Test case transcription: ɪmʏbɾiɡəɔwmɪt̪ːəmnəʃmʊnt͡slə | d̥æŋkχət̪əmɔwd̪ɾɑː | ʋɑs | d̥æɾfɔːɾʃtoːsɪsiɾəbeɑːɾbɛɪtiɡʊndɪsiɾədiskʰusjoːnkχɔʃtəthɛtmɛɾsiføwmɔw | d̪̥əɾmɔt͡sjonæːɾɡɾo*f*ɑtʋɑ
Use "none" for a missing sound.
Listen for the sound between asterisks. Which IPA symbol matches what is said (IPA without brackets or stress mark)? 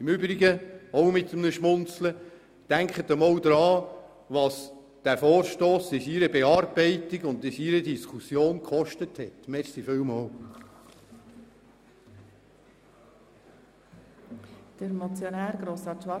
s